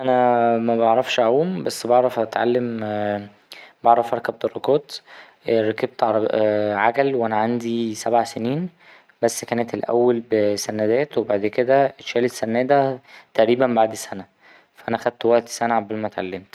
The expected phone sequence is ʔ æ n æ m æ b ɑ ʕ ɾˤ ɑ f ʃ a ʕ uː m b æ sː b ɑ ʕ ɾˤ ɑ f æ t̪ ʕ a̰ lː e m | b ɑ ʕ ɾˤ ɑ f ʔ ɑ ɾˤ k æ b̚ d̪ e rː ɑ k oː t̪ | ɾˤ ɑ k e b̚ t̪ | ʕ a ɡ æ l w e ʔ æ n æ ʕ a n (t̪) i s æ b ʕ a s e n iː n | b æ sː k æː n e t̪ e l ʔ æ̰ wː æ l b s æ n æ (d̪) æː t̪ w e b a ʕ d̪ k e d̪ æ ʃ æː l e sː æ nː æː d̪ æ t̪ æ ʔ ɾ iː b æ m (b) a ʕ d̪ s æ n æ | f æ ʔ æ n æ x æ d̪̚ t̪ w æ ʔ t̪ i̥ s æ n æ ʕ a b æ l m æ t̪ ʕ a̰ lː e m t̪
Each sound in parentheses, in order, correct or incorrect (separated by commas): incorrect, correct, correct